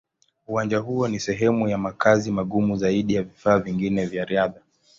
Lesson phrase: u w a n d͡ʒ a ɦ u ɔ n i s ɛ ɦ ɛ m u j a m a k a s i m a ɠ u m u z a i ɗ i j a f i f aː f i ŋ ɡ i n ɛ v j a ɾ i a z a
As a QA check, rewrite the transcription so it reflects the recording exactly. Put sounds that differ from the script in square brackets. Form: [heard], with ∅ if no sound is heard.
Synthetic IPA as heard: u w a n d͡ʒ a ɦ u ɔ n i s ɛ ɦ ɛ m u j a m a k a [z] i m a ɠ u m u z a i ɗ i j a [v] i f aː [v] i ŋ ɡ i n ɛ v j a ɾ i a [ð] a